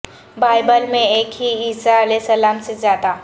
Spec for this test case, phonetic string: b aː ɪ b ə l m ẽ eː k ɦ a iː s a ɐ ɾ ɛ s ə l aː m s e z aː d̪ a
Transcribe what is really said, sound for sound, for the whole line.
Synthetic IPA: b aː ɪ b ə l m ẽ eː k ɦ i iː s a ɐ l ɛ s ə l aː m s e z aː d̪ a